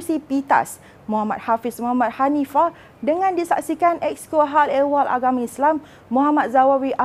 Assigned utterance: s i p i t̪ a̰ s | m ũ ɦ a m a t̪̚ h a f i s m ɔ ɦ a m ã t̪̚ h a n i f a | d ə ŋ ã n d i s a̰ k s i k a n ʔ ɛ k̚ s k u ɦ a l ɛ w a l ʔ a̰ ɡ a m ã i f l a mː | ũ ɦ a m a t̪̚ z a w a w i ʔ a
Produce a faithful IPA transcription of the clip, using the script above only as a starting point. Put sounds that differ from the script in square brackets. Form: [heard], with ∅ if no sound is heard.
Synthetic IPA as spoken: s i p i t̪ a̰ s | m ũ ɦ a m a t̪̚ h a f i s m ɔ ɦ a m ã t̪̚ h a n i f a | d ə ŋ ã n d i s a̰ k s i k a n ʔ ɛ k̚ s k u ɦ a l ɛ w a l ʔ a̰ ɡ a m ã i [s] l a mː | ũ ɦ a m a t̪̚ z a w a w i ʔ a